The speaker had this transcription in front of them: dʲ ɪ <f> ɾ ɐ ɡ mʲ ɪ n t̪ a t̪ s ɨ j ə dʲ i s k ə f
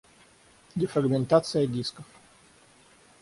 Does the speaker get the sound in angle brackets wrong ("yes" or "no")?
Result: no